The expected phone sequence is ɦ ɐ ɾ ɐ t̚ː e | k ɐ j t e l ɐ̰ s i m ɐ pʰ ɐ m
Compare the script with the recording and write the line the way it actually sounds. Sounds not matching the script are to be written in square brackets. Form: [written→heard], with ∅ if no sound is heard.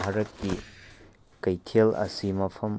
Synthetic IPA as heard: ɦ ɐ ɾ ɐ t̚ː [e→i] | k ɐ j [t→tʰ] e l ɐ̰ s i m ɐ pʰ ɐ m